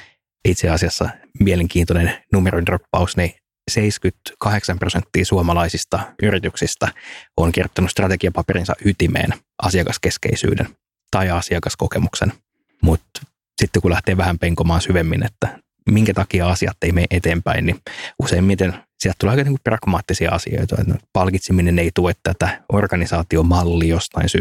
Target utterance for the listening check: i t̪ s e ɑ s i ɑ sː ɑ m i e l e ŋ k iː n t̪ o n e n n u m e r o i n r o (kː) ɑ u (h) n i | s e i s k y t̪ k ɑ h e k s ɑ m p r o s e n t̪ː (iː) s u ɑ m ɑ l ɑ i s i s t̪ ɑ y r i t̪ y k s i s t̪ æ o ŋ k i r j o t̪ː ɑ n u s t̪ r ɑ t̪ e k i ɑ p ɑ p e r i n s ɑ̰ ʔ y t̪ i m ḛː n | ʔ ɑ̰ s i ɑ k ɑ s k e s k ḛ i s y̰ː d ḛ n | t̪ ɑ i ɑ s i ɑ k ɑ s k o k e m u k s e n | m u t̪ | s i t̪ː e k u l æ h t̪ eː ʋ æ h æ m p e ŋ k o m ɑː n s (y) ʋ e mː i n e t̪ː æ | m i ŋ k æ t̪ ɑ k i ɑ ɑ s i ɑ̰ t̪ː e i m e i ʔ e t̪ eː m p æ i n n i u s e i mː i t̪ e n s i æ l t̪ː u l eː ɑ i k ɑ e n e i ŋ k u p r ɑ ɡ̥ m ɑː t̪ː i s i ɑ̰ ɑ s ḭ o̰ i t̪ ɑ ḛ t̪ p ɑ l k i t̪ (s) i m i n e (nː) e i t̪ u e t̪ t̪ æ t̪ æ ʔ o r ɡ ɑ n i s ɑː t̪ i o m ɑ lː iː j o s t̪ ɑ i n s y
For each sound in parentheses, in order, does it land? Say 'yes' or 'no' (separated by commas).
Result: no, no, yes, yes, yes, no